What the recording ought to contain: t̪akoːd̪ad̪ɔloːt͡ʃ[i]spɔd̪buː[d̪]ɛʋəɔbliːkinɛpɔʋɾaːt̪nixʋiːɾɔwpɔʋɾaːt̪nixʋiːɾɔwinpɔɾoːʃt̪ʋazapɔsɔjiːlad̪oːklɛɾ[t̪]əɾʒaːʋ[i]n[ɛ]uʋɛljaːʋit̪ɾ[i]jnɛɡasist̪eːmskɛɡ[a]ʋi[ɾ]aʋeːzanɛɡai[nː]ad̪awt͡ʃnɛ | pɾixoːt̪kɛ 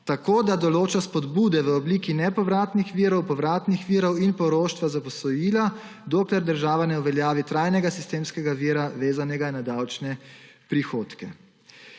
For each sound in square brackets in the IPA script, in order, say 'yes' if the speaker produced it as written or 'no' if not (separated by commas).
no, yes, no, no, yes, no, yes, yes, no